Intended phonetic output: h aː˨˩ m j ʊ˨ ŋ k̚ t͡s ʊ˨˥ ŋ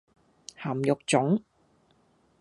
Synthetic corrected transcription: h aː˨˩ m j ʊ˨ k̚ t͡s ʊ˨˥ ŋ